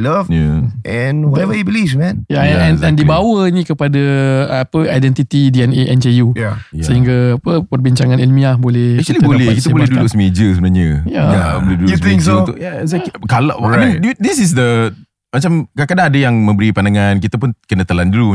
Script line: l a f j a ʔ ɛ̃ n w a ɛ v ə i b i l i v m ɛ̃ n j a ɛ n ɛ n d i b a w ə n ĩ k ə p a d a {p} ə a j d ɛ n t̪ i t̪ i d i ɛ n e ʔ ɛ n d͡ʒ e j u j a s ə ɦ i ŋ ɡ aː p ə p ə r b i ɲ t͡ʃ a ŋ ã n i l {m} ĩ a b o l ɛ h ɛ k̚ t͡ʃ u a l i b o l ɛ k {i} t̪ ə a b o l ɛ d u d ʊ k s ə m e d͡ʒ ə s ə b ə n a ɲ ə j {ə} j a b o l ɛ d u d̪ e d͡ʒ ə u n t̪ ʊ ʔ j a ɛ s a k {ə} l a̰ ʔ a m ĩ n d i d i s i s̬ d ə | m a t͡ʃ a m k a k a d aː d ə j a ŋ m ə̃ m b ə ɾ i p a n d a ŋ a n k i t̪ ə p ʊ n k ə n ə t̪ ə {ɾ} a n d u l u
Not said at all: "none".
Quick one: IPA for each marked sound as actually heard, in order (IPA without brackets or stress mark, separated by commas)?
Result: p, m, i, a, a, l